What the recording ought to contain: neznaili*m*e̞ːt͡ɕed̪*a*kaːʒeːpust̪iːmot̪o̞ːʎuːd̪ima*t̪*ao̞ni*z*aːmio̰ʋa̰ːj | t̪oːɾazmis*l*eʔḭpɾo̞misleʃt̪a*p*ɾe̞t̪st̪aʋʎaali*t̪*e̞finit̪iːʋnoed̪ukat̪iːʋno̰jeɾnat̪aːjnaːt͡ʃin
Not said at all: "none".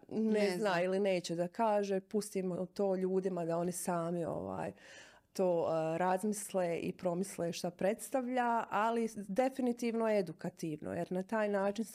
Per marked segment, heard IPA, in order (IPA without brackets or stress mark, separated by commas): n, a, d̪, s, l, p, d̪